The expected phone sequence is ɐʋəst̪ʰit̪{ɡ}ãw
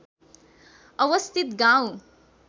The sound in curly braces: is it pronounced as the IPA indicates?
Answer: yes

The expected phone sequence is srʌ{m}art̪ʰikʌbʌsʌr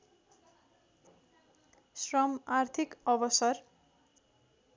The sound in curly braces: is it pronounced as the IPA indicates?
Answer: yes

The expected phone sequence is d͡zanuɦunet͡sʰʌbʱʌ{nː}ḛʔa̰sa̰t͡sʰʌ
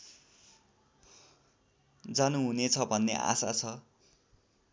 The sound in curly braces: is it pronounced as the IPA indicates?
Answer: yes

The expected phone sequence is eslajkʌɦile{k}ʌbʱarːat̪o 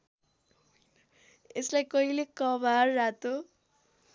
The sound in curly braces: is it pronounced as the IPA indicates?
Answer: yes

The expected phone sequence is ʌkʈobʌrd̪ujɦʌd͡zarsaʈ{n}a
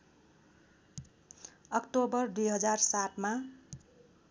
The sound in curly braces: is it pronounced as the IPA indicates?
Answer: no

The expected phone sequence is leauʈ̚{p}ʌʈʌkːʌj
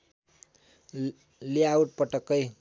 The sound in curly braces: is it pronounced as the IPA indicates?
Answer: yes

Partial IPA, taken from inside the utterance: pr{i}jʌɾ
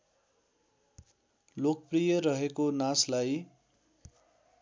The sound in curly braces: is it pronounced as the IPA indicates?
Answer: yes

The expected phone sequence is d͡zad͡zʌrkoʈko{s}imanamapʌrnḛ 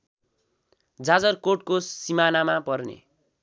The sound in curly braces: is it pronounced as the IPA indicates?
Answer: yes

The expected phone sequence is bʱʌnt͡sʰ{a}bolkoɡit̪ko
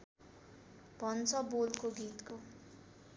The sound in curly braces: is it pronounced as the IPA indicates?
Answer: no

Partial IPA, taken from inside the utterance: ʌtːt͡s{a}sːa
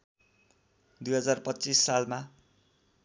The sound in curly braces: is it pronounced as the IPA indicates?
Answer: no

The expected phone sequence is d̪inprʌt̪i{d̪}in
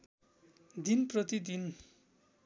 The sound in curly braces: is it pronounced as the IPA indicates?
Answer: yes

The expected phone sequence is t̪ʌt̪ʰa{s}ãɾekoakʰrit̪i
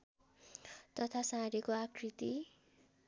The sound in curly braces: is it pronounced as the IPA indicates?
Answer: yes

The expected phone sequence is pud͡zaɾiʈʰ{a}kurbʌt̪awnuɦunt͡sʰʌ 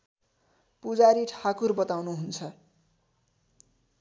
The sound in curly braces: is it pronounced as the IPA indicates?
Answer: yes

